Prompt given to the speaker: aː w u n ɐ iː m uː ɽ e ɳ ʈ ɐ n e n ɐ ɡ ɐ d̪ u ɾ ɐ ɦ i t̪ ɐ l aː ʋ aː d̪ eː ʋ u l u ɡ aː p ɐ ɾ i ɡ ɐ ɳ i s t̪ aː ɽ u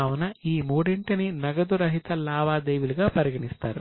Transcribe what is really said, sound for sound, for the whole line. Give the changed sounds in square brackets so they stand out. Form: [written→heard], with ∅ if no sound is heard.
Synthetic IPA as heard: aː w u n ɐ iː m uː ɽ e ɳ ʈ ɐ n [e→i] n ɐ ɡ ɐ d̪ u ɾ ɐ ɦ i t̪ ɐ l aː ʋ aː d̪ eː ʋ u l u ɡ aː p ɐ ɾ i ɡ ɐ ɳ i s t̪ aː [ɽ→ɾ] u